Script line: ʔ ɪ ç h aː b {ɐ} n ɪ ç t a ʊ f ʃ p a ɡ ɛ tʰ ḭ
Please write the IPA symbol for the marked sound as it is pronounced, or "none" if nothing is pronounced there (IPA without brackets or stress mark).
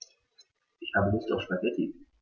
ə